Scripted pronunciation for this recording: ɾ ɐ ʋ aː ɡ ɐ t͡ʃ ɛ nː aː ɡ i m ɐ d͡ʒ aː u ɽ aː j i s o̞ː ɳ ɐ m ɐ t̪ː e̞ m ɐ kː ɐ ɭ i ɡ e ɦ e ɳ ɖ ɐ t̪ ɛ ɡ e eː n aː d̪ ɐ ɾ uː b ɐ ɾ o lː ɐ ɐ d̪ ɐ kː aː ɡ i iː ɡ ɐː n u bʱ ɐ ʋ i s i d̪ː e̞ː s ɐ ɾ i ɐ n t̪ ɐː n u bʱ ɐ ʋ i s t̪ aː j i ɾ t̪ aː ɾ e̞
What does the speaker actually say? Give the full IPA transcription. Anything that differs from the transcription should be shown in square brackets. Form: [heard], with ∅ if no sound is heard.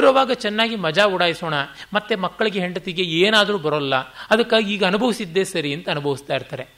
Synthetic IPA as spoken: ɾ ɐ ʋ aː ɡ ɐ t͡ʃ ɛ nː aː ɡ i m ɐ d͡ʒ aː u ɽ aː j i s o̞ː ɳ ɐ m ɐ t̪ː e̞ m ɐ kː ɐ ɭ i ɡ e ɦ e ɳ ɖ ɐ t̪ [i] ɡ e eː n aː d̪ ɐ ɾ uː b ɐ ɾ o lː ɐ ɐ d̪ ɐ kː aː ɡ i iː ɡ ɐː n u bʱ ɐ ʋ i s i d̪ː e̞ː s ɐ ɾ i ɐ n t̪ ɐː n u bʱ ɐ ʋ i s t̪ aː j i ɾ t̪ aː ɾ e̞